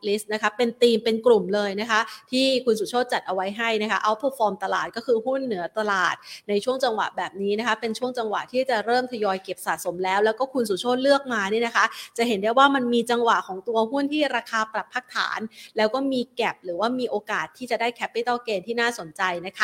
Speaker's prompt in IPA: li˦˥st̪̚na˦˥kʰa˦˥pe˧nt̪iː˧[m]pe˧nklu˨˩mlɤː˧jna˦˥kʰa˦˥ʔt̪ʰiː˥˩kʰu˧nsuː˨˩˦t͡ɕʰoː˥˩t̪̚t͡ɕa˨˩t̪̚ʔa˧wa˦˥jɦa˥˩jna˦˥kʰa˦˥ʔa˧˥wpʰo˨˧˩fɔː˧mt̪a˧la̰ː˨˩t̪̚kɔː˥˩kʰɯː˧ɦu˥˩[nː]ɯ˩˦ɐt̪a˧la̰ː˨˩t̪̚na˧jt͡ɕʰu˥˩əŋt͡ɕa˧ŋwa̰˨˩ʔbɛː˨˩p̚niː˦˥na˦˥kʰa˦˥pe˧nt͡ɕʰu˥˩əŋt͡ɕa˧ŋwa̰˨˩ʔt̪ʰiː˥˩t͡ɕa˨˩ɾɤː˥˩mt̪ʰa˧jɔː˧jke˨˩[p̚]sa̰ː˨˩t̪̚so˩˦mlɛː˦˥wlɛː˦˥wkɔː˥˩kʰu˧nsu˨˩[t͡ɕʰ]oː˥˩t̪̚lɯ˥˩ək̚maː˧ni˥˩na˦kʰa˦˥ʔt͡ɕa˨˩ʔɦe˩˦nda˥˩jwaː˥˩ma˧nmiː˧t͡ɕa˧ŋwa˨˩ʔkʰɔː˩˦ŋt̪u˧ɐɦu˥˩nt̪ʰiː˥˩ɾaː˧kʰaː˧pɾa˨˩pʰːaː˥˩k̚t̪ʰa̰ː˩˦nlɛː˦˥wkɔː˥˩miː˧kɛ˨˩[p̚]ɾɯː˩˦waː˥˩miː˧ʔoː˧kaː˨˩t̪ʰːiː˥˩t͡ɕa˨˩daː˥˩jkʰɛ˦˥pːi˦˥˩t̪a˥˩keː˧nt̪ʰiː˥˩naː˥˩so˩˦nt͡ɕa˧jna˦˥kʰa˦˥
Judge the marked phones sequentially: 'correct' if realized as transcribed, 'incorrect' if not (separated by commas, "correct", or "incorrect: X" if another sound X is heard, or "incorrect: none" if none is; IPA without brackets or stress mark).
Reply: correct, correct, correct, correct, correct